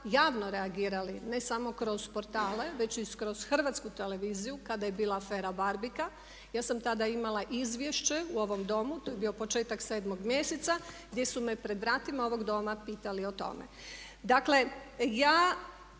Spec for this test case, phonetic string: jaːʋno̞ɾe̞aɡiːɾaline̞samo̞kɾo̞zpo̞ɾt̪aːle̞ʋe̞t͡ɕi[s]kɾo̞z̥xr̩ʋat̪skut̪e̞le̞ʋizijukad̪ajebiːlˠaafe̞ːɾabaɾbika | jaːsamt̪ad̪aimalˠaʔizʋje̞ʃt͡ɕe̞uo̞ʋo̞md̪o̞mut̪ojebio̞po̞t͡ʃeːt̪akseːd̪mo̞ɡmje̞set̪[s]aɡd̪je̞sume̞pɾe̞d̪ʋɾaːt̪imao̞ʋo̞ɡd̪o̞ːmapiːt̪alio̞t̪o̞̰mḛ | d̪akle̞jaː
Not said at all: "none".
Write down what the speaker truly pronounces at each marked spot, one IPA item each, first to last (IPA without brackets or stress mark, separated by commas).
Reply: s, s